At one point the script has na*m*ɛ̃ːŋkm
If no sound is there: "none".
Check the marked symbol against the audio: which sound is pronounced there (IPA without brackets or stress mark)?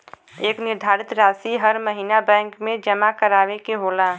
b